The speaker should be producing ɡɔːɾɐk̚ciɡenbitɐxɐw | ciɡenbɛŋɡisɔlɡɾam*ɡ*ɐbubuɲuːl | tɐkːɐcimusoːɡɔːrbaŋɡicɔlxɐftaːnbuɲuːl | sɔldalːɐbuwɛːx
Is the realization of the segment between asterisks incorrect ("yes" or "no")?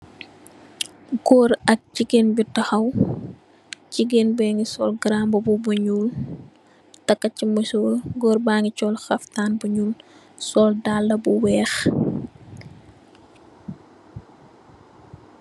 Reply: yes